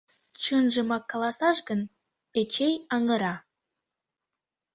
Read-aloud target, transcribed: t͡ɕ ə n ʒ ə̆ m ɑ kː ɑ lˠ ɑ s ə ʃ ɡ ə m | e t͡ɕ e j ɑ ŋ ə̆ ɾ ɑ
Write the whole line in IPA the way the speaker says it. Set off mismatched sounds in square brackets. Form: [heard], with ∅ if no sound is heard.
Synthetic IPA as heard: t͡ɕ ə n ʒ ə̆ m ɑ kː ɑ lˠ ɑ s [ɑ] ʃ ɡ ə [n] | e t͡ɕ e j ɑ ŋ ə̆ ɾ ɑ